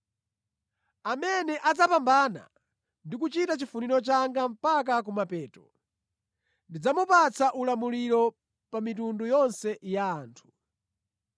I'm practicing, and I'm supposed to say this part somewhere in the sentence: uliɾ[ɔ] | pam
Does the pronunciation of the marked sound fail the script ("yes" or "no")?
no